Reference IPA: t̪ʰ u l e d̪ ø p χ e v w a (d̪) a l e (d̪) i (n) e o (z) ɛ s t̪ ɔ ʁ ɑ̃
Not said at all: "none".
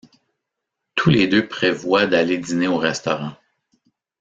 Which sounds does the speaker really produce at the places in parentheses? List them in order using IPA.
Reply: d̪, d̪, n, ʁ

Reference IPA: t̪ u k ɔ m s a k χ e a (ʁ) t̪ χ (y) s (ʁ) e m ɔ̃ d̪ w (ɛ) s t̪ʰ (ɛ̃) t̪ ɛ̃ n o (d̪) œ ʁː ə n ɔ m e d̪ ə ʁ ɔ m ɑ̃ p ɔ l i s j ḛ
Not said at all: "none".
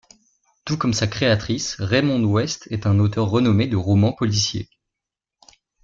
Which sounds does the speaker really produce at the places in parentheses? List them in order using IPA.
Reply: none, i, ʁ, ɛ, ɛ, t̪

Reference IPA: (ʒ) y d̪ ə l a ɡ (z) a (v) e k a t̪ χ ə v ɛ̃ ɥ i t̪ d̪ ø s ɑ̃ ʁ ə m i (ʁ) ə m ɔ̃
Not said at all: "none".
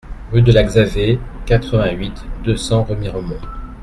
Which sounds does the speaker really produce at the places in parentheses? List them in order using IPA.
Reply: ʁ, z, v, ʁ

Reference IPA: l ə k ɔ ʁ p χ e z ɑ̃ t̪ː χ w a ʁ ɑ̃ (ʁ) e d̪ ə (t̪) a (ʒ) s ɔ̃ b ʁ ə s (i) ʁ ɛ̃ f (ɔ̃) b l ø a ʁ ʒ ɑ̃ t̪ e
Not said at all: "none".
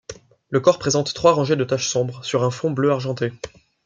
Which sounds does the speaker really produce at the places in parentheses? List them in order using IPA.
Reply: ʒ, t̪, ʃ, y, ɔ̃

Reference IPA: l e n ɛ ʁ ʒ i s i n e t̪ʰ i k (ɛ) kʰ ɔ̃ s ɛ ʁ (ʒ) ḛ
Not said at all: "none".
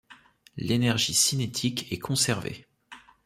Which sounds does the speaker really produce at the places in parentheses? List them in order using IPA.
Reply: ɛ, v

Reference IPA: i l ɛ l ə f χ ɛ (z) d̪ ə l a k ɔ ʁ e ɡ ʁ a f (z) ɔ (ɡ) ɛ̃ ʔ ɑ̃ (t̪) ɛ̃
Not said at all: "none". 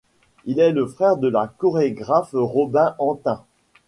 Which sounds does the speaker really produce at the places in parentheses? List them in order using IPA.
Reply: ʁ, ʁ, b, t̪

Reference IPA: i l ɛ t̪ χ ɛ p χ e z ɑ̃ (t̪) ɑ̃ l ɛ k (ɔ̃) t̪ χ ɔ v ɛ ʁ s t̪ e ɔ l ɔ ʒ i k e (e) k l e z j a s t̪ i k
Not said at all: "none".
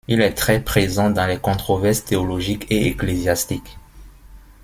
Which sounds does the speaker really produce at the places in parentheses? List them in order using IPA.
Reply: d̪, ɔ̃, e

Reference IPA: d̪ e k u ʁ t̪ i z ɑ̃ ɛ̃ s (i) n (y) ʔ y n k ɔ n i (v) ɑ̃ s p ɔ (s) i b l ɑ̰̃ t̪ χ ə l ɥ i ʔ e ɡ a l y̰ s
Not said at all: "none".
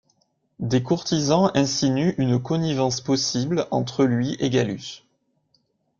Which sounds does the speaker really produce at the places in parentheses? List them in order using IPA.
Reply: i, y, v, s

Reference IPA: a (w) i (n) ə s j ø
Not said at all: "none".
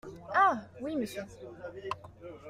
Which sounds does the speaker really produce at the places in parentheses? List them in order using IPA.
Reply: w, m

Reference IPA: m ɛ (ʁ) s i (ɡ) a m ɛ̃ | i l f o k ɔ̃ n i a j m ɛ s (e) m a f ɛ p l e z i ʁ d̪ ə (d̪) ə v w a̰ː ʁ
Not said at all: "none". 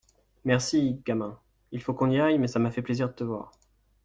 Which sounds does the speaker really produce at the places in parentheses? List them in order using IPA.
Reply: ʁ, ɡ, a, t̪

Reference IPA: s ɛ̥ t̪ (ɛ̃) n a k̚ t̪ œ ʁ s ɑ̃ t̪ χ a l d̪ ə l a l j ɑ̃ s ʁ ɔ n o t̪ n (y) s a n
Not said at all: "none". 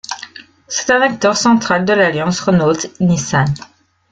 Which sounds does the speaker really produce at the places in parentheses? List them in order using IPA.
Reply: ɛ̃, i

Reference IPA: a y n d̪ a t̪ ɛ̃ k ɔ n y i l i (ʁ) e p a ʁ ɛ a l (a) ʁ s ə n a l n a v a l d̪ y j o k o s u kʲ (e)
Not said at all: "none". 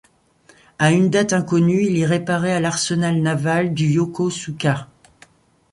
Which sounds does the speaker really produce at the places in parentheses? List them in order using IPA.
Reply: ʁ, a, a

